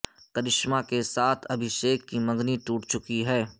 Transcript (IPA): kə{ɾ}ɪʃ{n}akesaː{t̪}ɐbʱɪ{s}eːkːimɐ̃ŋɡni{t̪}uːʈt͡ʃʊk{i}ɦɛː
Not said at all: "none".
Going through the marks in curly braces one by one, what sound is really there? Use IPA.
ɾ, m, t̪ʰ, ʃ, t̪, i

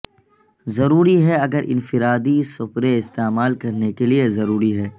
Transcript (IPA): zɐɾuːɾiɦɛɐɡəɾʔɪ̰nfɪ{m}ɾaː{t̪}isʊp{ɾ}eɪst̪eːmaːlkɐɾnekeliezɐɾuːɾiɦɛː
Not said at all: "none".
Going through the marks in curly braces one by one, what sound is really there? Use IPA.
none, d̪, ɾ

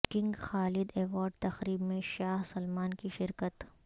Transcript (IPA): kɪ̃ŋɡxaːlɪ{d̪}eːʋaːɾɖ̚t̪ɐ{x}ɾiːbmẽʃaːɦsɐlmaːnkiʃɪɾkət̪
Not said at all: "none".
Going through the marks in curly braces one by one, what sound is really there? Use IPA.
d̪, x

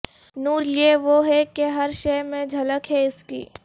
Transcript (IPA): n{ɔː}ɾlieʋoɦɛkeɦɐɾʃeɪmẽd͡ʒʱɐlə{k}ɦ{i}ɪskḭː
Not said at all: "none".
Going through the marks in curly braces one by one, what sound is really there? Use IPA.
uː, k, ɛ

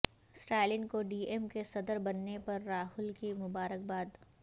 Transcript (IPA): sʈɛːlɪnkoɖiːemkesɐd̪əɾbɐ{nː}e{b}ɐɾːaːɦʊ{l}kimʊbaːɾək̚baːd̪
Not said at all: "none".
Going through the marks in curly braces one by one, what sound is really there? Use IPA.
nː, p, l

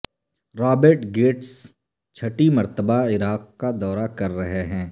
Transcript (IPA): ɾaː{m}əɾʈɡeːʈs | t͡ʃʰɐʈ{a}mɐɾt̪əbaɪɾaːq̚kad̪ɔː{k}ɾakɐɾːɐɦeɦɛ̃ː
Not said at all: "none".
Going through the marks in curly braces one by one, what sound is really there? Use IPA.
b, i, none

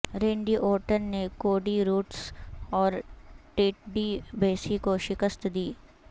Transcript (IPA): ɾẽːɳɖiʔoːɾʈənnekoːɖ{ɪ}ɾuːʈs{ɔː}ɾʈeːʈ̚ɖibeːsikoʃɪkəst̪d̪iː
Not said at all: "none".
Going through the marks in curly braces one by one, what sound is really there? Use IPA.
i, ɔː

